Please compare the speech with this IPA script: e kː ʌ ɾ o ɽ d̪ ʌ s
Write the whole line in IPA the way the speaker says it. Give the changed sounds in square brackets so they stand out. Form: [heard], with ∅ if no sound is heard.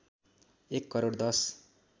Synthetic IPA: e kː ʌ ɾ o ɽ d̪ ʌ s

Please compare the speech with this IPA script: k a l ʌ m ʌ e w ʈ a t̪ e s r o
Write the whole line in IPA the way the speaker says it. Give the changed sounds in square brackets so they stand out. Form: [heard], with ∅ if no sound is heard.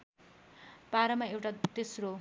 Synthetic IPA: [p] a [ɾ] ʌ m [a] e w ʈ a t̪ e s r o

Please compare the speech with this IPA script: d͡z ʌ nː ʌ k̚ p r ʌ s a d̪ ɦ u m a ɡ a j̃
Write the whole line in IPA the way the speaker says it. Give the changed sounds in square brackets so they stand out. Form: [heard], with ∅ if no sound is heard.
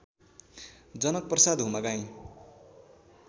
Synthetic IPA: d͡z ʌ [n] ʌ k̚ p r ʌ s a d̪ ɦ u m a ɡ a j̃

